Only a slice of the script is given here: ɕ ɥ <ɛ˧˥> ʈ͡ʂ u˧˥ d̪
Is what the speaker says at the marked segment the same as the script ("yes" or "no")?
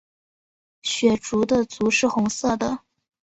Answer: no